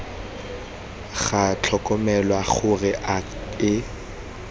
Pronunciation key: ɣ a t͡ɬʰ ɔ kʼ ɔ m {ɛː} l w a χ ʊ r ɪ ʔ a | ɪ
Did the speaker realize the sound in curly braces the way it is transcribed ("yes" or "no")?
no